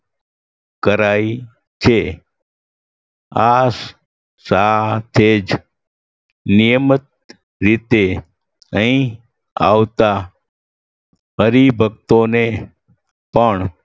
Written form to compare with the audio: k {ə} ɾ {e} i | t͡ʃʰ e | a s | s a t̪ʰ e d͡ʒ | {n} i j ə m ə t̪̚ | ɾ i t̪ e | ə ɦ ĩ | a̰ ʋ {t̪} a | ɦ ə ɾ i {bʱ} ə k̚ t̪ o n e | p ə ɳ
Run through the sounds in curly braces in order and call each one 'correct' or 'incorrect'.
correct, incorrect: a, correct, correct, correct

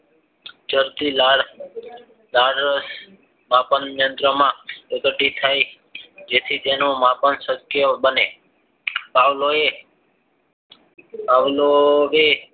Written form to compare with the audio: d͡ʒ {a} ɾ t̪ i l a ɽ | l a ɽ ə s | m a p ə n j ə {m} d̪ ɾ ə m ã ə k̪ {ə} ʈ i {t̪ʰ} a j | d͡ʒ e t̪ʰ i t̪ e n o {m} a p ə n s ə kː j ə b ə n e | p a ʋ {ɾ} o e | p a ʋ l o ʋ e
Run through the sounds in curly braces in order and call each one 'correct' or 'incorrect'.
incorrect: ə, incorrect: n, correct, correct, correct, incorrect: l

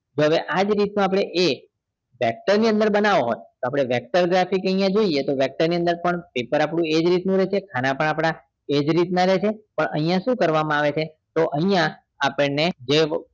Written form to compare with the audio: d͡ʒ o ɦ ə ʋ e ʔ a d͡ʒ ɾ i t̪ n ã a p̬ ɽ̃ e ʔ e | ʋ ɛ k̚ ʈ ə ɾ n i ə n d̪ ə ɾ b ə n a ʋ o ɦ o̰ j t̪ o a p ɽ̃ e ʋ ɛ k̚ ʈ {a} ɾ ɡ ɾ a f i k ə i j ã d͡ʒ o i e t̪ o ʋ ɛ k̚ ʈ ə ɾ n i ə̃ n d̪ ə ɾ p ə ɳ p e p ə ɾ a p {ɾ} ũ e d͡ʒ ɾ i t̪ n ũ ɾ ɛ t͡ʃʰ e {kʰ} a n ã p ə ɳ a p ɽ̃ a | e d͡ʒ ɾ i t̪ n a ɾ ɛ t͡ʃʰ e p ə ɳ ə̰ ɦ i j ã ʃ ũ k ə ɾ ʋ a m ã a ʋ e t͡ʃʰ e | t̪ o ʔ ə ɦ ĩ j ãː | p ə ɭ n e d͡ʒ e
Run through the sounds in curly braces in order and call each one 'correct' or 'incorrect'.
incorrect: ə, incorrect: ɽ, correct

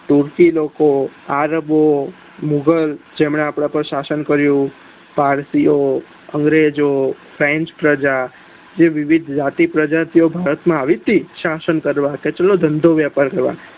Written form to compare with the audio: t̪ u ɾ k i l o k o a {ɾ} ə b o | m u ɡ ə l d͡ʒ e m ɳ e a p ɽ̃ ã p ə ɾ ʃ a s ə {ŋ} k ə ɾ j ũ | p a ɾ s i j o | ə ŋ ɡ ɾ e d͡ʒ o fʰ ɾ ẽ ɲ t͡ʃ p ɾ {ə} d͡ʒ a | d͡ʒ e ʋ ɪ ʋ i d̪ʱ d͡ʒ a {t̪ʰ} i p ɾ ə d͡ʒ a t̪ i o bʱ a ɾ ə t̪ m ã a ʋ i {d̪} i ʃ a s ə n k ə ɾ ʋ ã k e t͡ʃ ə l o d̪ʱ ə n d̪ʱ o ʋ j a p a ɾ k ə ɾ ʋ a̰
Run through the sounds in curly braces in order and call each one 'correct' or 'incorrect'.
correct, incorrect: n, correct, incorrect: t̪, incorrect: t̪

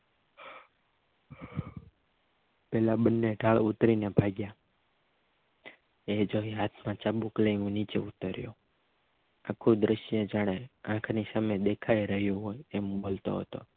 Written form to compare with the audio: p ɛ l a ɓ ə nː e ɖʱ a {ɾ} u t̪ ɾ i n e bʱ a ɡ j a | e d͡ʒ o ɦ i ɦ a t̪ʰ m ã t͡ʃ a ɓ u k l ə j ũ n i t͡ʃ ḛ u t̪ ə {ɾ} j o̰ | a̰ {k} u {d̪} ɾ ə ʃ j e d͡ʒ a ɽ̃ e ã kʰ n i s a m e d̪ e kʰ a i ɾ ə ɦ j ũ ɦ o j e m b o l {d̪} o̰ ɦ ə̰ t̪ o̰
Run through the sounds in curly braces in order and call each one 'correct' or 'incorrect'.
incorrect: ɭ, correct, incorrect: kʰ, correct, incorrect: t̪

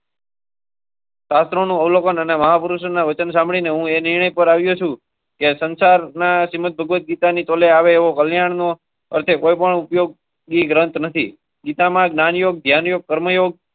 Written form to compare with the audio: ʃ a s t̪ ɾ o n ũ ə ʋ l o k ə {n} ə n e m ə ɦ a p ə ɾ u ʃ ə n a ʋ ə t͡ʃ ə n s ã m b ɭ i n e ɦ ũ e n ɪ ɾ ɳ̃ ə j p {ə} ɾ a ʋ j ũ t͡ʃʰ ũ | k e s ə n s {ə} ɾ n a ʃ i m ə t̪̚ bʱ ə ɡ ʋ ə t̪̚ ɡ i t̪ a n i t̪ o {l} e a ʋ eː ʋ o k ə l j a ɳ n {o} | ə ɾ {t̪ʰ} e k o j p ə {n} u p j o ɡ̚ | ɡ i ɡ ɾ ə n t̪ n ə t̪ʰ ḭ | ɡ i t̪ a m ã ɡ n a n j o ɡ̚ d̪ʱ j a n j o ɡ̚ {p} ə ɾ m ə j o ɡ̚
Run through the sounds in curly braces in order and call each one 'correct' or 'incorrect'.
correct, correct, incorrect: a, correct, correct, correct, incorrect: ɳ, incorrect: k

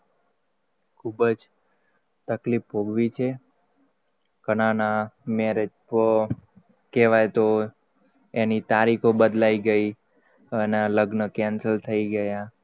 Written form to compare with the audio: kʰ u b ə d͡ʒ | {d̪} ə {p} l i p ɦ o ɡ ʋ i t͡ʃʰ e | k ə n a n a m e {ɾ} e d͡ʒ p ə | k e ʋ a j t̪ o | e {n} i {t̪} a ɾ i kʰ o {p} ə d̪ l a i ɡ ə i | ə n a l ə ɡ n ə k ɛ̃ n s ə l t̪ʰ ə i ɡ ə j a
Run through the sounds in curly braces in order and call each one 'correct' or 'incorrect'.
incorrect: t̪, incorrect: k, correct, correct, correct, incorrect: b

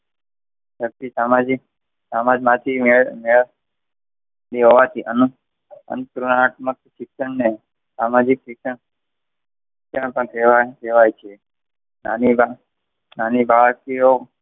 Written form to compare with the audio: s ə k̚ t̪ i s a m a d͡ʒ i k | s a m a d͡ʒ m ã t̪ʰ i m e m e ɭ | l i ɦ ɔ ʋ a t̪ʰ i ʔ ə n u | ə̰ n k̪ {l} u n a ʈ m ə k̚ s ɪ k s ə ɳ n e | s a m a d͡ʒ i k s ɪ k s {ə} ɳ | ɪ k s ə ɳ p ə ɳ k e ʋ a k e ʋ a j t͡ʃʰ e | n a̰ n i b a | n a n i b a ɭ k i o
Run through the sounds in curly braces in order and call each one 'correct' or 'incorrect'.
incorrect: ɾ, correct

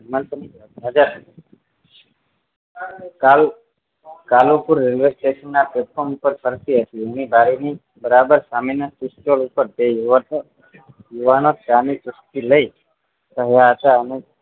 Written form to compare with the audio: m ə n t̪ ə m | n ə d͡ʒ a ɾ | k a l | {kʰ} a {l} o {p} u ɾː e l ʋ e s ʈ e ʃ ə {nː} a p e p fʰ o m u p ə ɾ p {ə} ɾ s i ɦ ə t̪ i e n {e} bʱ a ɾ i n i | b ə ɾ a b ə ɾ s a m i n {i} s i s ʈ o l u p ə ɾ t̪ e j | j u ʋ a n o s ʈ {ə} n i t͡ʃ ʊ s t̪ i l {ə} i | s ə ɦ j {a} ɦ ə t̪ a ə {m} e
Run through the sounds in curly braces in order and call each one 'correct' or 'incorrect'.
incorrect: k, correct, correct, correct, correct, incorrect: i, incorrect: a, incorrect: a, correct, correct, incorrect: n

